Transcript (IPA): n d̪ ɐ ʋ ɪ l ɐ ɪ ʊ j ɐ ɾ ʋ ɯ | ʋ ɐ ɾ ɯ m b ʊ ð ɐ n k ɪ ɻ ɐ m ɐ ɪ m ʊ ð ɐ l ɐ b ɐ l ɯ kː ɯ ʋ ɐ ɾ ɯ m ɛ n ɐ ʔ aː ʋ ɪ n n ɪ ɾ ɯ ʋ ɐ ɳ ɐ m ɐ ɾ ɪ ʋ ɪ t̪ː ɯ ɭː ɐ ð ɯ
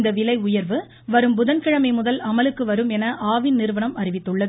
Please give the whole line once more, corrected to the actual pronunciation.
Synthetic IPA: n d̪ ɐ ʋ ɪ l ɐ ɪ ʊ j ɐ ɾ ʋ ɯ | ʋ ɐ ɾ ɯ m b ʊ ð ɐ n k ɪ ɻ ɐ m ɐ ɪ m ʊ ð ɐ l ɐ m ɐ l ɯ kː ɯ ʋ ɐ ɾ ɯ m ɛ n ɐ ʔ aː ʋ ɪ n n ɪ ɾ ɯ ʋ ɐ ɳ ɐ m ɐ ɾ ɪ ʋ ɪ t̪ː ɯ ɭː ɐ ð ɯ